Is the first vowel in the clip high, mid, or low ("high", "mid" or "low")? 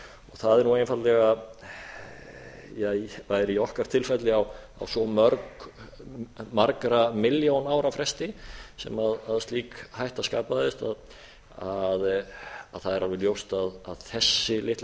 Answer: mid